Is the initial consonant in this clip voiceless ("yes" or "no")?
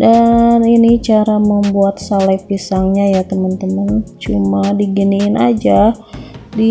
no